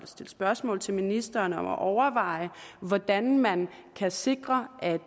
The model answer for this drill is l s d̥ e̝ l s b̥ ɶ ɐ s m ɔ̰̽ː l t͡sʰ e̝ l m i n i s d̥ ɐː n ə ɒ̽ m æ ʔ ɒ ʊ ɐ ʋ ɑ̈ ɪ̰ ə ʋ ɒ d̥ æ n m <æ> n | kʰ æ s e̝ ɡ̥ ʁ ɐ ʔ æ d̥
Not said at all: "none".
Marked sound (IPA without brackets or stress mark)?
æ